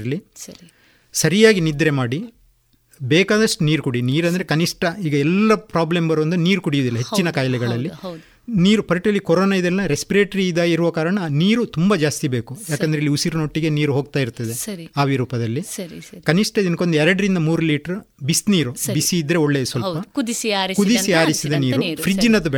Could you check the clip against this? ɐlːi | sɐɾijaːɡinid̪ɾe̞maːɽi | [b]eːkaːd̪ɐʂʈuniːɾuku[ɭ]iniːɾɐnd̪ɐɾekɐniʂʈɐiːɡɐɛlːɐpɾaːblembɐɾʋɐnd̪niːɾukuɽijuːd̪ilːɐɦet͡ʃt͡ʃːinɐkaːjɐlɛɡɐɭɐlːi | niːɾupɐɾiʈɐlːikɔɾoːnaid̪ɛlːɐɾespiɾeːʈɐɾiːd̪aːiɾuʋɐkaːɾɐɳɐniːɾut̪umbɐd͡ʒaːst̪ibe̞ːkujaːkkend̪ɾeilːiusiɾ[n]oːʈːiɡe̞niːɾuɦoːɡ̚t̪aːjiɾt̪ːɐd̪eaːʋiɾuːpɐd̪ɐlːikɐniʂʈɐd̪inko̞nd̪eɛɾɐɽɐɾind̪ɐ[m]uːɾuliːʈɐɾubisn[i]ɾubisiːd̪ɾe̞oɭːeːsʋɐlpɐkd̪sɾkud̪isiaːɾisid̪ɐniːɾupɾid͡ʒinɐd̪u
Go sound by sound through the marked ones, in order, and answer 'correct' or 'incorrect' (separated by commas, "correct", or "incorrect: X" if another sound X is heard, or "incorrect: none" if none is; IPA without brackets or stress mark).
correct, incorrect: ɽ, correct, correct, incorrect: iː